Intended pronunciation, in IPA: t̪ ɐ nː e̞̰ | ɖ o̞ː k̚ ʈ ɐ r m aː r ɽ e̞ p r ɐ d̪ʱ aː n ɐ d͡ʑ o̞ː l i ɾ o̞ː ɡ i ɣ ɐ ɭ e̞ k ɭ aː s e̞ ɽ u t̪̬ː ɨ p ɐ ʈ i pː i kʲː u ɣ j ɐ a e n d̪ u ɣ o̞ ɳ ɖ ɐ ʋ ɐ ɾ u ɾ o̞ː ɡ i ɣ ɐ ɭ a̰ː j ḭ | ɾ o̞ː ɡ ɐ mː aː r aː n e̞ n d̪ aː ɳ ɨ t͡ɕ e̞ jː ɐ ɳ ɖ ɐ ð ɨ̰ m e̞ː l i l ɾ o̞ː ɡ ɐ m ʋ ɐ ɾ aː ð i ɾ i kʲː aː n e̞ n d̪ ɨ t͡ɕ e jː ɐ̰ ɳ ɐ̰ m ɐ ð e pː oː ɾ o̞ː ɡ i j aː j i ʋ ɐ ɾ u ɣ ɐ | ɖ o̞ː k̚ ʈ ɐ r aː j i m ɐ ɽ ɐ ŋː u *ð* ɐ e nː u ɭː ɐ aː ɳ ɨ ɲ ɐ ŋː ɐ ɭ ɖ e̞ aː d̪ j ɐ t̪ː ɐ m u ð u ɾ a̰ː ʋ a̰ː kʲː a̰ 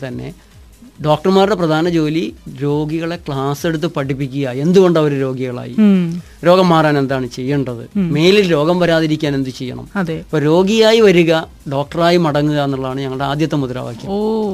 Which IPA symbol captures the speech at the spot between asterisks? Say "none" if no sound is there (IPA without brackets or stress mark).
ɣ